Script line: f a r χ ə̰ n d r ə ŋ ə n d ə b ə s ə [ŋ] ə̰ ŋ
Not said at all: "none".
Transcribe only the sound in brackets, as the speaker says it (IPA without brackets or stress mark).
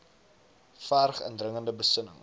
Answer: n